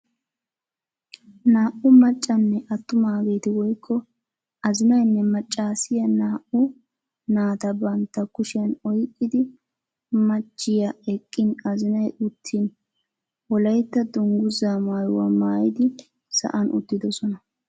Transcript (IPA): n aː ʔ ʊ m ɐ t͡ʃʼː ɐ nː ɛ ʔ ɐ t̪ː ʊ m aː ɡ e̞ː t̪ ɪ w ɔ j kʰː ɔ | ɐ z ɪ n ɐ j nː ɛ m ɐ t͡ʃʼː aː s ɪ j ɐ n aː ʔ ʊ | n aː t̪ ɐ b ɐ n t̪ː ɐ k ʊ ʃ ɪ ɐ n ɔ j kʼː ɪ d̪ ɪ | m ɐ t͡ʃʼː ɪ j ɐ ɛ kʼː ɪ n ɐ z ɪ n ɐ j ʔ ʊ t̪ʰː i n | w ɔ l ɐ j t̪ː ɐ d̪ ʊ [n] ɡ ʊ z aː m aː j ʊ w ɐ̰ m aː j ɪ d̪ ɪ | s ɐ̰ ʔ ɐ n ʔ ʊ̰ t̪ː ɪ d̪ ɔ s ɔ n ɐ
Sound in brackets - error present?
yes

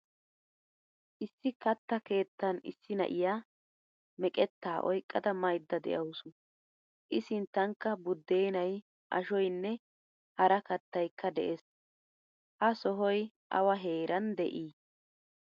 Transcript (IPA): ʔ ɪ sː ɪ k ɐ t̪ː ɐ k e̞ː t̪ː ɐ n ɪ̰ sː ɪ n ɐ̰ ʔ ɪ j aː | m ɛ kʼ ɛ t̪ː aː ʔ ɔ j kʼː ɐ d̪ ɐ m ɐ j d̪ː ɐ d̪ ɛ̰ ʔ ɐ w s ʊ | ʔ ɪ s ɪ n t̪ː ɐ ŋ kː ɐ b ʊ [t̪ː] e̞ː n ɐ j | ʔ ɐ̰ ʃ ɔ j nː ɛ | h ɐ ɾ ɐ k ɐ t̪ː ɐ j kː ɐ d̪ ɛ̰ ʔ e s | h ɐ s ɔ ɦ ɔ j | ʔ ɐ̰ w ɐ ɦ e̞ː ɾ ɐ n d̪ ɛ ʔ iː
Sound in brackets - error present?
yes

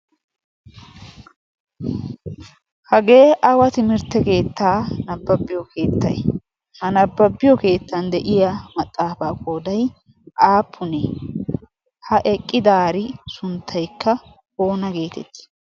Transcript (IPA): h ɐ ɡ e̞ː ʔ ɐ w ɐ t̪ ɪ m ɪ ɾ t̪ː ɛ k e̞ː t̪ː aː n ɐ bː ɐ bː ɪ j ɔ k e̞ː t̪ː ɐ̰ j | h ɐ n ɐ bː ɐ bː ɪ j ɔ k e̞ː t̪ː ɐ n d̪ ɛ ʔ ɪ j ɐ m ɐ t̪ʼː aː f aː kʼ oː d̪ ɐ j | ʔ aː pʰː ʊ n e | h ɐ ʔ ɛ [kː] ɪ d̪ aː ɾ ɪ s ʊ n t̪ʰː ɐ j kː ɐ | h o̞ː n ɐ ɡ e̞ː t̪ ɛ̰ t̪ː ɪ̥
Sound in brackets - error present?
yes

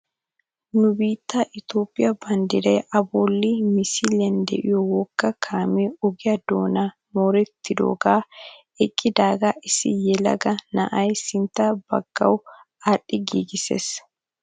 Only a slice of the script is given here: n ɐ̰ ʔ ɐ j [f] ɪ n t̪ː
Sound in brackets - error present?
yes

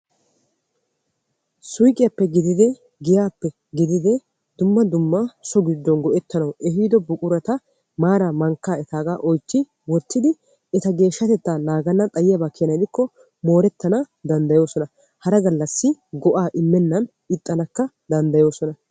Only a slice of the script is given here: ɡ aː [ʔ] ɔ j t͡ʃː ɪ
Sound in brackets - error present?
no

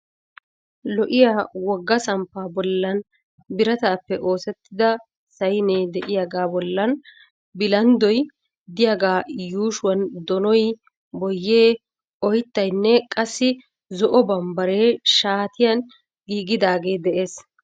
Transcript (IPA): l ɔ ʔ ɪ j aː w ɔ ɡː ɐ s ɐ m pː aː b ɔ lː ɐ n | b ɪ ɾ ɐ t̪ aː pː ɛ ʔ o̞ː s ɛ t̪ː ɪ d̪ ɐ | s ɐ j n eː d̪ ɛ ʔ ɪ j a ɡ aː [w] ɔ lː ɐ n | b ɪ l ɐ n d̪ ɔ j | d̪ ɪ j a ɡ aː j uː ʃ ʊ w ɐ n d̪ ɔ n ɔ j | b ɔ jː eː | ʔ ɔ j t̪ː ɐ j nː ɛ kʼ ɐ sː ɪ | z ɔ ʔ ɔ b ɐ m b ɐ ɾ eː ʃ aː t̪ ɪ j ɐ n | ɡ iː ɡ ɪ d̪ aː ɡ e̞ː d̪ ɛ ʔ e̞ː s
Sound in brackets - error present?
yes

